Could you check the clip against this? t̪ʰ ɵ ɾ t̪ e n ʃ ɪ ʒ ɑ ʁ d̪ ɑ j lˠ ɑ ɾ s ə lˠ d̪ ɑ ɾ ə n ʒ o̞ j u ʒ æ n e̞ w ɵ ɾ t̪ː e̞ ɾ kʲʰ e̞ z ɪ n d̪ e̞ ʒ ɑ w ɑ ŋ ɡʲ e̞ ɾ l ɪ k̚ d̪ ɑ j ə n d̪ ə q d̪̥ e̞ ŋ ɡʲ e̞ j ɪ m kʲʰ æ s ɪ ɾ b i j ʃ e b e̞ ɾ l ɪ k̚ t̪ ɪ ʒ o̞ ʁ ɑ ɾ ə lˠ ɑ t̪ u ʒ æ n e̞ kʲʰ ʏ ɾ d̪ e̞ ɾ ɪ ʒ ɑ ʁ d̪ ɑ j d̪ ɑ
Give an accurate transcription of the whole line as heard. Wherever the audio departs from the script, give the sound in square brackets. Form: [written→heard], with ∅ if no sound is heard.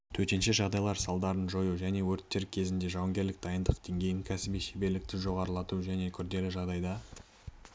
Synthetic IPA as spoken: t̪ʰ ɵ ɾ t̪ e n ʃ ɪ ʒ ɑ ʁ d̪ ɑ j lˠ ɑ ɾ s [ə→ɑ] lˠ d̪ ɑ ɾ ə n ʒ o̞ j u ʒ æ n e̞ w ɵ ɾ t̪ː e̞ ɾ kʲʰ e̞ z ɪ n d̪ e̞ ʒ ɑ w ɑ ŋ ɡʲ e̞ ɾ l ɪ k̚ d̪ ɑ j ə n d̪ ə q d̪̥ e̞ ŋ ɡʲ e̞ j ɪ [m→ŋ] kʲʰ æ s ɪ [ɾ→∅] b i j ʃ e b e̞ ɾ l ɪ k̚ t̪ ɪ ʒ o̞ ʁ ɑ ɾ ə lˠ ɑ t̪ u ʒ æ n e̞ kʲʰ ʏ ɾ d̪ e̞ [ɾ→l] ɪ ʒ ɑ ʁ d̪ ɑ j d̪ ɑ